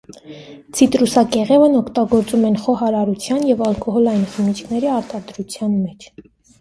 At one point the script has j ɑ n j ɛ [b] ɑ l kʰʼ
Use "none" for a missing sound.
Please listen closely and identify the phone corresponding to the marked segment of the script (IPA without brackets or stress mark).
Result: v